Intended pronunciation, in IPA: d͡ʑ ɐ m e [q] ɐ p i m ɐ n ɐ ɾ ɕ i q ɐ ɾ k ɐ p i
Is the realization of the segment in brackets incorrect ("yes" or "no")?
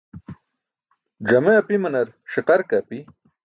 yes